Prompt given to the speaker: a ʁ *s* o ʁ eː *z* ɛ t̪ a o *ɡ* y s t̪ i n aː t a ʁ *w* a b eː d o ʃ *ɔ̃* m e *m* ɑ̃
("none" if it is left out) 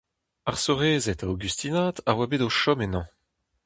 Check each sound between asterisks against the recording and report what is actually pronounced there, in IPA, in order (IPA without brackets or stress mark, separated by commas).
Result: s, z, ɡ, w, ɔ, n